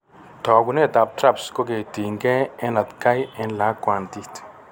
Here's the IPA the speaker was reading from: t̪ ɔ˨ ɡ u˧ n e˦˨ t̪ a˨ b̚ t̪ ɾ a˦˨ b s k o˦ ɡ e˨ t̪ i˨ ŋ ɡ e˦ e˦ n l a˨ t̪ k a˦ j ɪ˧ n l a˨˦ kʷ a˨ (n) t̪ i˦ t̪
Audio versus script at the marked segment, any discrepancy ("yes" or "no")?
no